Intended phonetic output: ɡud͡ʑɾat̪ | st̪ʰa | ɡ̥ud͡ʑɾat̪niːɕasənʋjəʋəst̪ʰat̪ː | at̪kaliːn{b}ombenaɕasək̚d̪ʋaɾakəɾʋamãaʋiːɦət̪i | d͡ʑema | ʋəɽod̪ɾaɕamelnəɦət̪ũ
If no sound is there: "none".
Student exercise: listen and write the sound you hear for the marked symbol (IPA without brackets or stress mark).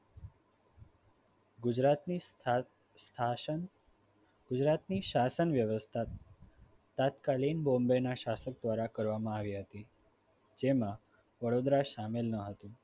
b